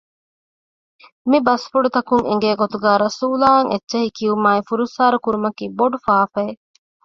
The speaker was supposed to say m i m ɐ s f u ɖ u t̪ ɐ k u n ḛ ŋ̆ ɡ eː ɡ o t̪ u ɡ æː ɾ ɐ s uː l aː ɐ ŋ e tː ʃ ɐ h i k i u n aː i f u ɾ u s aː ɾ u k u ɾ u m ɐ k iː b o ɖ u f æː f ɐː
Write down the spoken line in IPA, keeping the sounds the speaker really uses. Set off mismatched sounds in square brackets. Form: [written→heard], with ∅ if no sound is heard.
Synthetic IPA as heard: m i [m→b] ɐ s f u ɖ u t̪ ɐ k u [n→ŋ] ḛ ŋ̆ ɡ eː ɡ o t̪ u ɡ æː ɾ ɐ s uː l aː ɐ ŋ e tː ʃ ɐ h i k i u [n→m] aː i f u ɾ u s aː ɾ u k u ɾ u m ɐ k iː b o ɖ u f [æː→aː] f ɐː

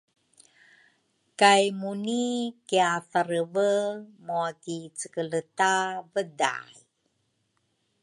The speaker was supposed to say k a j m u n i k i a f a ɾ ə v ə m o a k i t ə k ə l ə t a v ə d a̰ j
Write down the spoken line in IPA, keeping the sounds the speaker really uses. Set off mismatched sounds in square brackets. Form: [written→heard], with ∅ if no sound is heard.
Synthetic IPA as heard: k a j m u n i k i a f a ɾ ə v ə m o a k i [t→t͡s] ə k ə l ə t a v ə d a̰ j

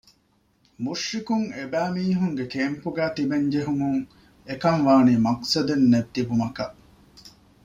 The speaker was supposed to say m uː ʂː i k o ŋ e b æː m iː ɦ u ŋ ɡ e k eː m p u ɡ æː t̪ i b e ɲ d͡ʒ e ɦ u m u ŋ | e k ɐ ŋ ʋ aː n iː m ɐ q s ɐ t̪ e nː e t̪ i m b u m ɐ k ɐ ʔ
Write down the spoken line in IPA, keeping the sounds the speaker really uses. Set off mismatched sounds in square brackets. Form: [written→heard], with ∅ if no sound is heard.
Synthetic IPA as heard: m [uː→u] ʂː i k [o→u] ŋ e b æː m iː ɦ u ŋ ɡ e k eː m p u ɡ æː t̪ i b e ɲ d͡ʒ e ɦ u m u ŋ | e k ɐ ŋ ʋ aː n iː m ɐ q s ɐ [t̪→d̪] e nː e t̪ i [m→∅] b u m ɐ k ɐ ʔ

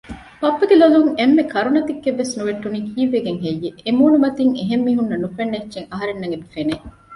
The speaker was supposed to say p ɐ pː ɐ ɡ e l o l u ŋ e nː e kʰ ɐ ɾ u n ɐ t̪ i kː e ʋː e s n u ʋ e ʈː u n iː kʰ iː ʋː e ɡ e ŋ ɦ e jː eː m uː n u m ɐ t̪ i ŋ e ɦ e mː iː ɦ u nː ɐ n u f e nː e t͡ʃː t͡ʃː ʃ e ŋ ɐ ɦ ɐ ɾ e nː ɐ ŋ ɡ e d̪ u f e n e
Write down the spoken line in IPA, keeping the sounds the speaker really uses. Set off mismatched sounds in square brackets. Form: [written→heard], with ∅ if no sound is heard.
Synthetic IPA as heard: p ɐ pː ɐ ɡ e l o l u ŋ e [nː→mː] e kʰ ɐ ɾ u n ɐ t̪ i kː e ʋː e s n u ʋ e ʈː u n iː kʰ iː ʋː e ɡ e ŋ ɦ e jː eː m uː n u m ɐ t̪ i ŋ e ɦ e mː iː ɦ u nː ɐ n u f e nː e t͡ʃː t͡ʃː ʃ e ŋ ɐ ɦ ɐ ɾ e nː ɐ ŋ ɡ e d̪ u f e n e

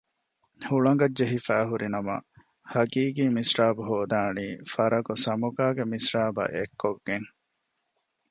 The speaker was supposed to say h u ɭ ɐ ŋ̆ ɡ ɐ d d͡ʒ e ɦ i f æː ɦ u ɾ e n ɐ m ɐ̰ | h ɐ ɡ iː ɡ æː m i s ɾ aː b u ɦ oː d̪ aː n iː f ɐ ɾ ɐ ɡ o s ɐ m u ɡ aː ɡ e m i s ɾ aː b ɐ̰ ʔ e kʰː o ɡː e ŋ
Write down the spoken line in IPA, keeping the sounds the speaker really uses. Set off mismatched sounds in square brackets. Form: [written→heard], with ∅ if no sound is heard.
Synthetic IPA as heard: h u ɭ ɐ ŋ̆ ɡ ɐ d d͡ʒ e ɦ i f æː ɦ u ɾ [e→i] n ɐ m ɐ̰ | h ɐ ɡ iː ɡ [æː→iː] m i s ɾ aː b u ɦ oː d̪ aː n iː f ɐ ɾ ɐ ɡ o s ɐ m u ɡ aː ɡ e m i s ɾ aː b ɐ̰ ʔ e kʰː o ɡː e ŋ

